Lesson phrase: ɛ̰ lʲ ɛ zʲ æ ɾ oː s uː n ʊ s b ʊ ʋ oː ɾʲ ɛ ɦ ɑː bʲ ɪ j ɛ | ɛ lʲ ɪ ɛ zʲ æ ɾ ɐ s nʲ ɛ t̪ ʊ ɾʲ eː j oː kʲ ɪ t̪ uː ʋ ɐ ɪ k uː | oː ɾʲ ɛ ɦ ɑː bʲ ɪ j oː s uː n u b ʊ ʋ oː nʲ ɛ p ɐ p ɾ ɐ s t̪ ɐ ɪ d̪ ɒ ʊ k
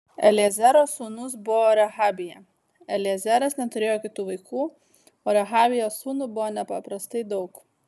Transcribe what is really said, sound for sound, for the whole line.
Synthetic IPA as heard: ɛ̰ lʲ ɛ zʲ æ ɾ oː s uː n ʊ s b ʊ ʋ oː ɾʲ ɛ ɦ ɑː bʲ ɪ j ɛ | ɛ lʲ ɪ ɛ zʲ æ ɾ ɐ s nʲ ɛ t̪ ʊ ɾʲ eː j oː kʲ ɪ t̪ uː ʋ ɐ ɪ k uː | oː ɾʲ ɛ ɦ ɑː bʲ ɪ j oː s uː n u b ʊ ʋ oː nʲ ɛ p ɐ p ɾ ɐ s t̪ ɐ ɪ d̪ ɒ ʊ k

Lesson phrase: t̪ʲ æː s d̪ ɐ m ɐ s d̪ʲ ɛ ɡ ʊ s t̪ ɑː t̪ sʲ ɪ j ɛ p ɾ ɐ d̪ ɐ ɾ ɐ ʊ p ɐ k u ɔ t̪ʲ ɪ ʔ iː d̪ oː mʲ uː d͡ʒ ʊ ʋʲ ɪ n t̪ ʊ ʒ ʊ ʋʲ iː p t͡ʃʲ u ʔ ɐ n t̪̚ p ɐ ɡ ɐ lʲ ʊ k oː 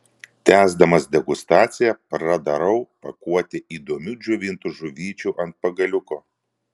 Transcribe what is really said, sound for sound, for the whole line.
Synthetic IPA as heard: t̪ʲ æː z d̪ ɐ m ɐ s d̪ʲ ɛ ɡ ʊ s t̪ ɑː t̪ sʲ ɪ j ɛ p ɾ ɐ d̪ ɐ ɾ ɐ ʊ p ɐ k u ɔ t̪ʲ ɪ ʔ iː d̪ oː mʲ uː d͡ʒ ʊ ʋʲ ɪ n t̪ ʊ ʒ ʊ ʋʲ iː t͡ʃʲ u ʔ ɐ n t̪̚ p ɐ ɡ ɐ lʲ ʊ k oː

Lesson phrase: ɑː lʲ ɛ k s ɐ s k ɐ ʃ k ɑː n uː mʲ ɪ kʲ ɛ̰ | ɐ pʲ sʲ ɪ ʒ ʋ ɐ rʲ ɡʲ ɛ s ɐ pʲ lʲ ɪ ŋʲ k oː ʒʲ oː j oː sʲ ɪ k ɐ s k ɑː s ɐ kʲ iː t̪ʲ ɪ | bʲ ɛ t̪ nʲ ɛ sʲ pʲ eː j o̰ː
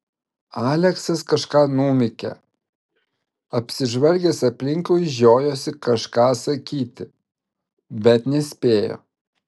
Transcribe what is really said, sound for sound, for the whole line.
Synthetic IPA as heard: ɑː lʲ ɛ k s ɐ s k ɐ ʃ k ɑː n uː mʲ ɪ kʲ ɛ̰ | ɐ pʲ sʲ ɪ ʒ ʋ ɐ lʲ ɡʲ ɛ s ɐ pʲ lʲ ɪ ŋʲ k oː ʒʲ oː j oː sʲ ɪ k ɐ ʃ k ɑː s ɐ kʲ iː t̪ʲ ɪ | bʲ ɛ t̪ nʲ ɛ sʲ pʲ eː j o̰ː

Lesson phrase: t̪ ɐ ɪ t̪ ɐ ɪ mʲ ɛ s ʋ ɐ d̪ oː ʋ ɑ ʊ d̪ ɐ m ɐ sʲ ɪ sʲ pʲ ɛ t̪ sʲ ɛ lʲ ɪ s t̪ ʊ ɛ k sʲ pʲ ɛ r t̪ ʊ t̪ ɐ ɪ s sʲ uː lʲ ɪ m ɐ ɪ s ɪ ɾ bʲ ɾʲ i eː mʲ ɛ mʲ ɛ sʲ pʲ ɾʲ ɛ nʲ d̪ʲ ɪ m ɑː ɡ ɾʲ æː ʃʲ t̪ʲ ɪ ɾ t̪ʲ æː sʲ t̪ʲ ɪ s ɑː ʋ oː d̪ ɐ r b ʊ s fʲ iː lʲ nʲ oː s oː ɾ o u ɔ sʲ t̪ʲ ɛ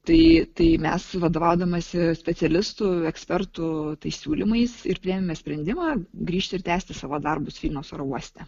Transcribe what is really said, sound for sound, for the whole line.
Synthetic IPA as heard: t̪ ɐ ɪ t̪ ɐ ɪ mʲ ɛ s ʋ ɐ d̪ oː ʋ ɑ ʊ d̪ ɐ m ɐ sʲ ɪ sʲ pʲ ɛ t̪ sʲ ɛ lʲ ɪ s t̪ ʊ ɛ k sʲ pʲ ɛ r t̪ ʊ t̪ ɐ ɪ s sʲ uː lʲ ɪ m ɐ ɪ s ɪ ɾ pʲ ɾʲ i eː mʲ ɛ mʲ ɛ sʲ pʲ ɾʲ ɛ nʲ d̪ʲ ɪ m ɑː ɡ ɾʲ iː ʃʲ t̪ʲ ɪ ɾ t̪ʲ æː sʲ t̪ʲ ɪ s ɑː ʋ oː d̪ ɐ r b ʊ s fʲ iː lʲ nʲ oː s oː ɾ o u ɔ sʲ t̪ʲ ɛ

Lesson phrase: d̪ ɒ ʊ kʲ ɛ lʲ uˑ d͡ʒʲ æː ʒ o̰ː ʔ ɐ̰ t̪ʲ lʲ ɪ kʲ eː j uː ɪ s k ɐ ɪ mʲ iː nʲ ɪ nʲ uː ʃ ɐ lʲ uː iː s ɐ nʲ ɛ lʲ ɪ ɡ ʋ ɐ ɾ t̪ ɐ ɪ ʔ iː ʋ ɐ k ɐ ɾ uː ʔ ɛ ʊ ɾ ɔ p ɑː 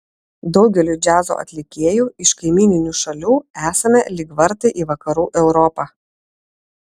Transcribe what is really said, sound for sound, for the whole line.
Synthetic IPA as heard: d̪ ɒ ʊ ɡʲ ɛ lʲ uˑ d͡ʒʲ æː z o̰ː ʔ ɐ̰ t̪ʲ lʲ ɪ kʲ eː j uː ɪ ʃ k ɐ ɪ mʲ iː nʲ ɪ nʲ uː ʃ ɐ lʲ uː æː s ɐ mʲ ɛ lʲ ɪ ɡ ʋ ɐ ɾ t̪ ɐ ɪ ʔ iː ʋ ɐ k ɐ ɾ uː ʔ ɛ ʊ ɾ ɔ p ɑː

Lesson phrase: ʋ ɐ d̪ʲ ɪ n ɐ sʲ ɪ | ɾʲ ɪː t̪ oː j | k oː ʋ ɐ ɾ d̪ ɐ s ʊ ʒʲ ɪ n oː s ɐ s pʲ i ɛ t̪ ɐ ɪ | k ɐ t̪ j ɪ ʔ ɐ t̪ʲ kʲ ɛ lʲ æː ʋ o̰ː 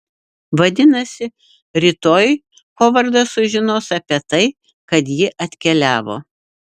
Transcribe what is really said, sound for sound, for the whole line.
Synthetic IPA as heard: ʋ ɐ d̪ʲ ɪ n ɐ sʲ ɪ | ɾʲ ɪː t̪ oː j | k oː ʋ ɐ ɾ d̪ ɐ s ʊ ʒʲ ɪ n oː s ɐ pʲ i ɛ t̪ ɐ ɪ | k ɐ t̪ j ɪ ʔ ɐ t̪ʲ kʲ ɛ lʲ æː ʋ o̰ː

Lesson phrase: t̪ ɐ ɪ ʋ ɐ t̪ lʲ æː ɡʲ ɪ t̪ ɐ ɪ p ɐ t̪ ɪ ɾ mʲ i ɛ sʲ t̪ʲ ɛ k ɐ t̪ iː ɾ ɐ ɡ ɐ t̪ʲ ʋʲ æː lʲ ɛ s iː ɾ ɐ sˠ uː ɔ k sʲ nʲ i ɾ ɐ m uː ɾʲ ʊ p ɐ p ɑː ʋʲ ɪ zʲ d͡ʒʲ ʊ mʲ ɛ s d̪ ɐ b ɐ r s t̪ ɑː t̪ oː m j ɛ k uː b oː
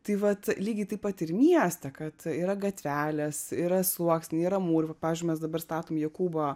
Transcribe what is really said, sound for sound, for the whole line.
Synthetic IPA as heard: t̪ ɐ ɪ ʋ ɐ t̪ lʲ iː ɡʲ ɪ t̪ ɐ ɪ p ɐ t̪ ɪ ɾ mʲ i ɛ sʲ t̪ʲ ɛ k ɐ t̪ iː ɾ ɐ ɡ ɐ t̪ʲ ʋʲ æː lʲ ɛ s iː ɾ ɐ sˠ u ɔ k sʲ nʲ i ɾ ɐ m uː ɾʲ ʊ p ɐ p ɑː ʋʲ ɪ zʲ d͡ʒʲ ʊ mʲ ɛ s d̪ ɐ b ɐ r s t̪ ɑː t̪ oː m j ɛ k uː b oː

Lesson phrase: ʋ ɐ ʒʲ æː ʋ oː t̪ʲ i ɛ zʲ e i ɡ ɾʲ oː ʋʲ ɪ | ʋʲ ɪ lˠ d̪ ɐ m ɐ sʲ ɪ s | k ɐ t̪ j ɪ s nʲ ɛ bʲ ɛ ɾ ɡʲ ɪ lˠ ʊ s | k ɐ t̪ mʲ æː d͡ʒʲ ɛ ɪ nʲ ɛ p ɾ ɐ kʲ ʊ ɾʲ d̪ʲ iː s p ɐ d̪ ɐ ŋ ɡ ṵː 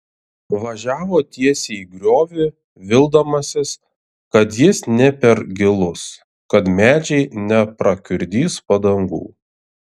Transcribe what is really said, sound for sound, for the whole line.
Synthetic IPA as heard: ʋ ɐ ʒʲ æː ʋ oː t̪ʲ i ɛ sʲ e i ɡ ɾʲ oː ʋʲ ɪ | ʋʲ ɪ lˠ d̪ ɐ m ɐ sʲ ɪ s | k ɐ t̪ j ɪ s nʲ ɛ pʲ ɛ ɾ ɡʲ ɪ lˠ ʊ s | k ɐ t̪ mʲ æː d͡ʒʲ ɛ ɪ nʲ ɛ p ɾ ɐ kʲ ʊ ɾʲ d̪ʲ iː s p ɐ d̪ ɐ ŋ ɡ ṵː

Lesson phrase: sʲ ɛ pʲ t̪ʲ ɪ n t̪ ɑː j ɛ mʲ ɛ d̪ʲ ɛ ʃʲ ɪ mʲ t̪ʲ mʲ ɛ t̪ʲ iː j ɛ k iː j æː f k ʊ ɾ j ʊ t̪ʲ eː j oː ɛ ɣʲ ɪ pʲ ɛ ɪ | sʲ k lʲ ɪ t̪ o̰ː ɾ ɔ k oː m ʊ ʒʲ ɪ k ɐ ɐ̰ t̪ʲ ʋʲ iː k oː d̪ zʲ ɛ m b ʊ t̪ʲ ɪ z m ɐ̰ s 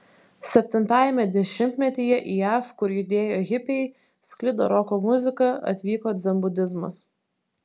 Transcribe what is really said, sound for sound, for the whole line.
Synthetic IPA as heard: sʲ ɛ pʲ t̪ʲ ɪ n t̪ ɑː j ɛ mʲ ɛ d̪ʲ ɛ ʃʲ ɪ mʲ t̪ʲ mʲ ɛ t̪ʲ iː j ɛ ʔ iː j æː f k ʊ ɾ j ʊ d̪ʲ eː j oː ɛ ɣʲ ɪ pʲ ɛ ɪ | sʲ k lʲ ɪ d̪ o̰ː ɾ ɔ k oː m ʊ zʲ ɪ k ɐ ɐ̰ t̪ʲ ʋʲ iː k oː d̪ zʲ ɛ m b ʊ d̪ʲ ɪ z m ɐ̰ s

